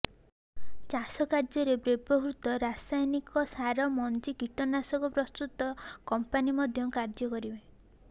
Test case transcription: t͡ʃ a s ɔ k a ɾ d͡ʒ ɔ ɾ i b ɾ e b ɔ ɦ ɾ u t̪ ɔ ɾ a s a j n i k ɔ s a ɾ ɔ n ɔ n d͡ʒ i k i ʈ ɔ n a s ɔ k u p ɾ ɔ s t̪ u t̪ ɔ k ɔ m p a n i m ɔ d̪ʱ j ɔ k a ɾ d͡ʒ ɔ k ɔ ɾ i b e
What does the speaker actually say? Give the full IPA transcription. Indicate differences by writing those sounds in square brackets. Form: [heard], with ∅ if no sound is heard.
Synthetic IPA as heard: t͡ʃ a s ɔ k a ɾ d͡ʒ ɔ ɾ [e] b ɾ e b ɔ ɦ ɾ u t̪ ɔ ɾ a s a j n i k ɔ s a ɾ ɔ [m] ɔ n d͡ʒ i k i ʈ ɔ n a s ɔ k [ɔ] p ɾ ɔ s t̪ u t̪ ɔ k ɔ m p a n i m ɔ d̪ʱ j ɔ k a ɾ d͡ʒ ɔ k ɔ ɾ i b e